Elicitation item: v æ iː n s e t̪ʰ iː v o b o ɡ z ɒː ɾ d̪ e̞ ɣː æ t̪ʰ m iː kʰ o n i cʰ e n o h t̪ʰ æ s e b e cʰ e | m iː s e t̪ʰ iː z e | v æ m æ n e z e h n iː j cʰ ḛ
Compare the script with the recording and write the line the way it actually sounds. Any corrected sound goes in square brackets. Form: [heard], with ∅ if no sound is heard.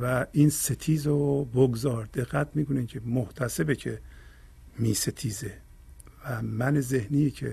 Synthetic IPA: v æ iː n s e t̪ʰ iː [z] o b o ɡ z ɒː ɾ d̪ e̞ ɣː æ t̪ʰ m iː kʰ o n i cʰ e [m] o h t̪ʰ æ s e b e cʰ e | m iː s e t̪ʰ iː z e | v æ m æ n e z e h n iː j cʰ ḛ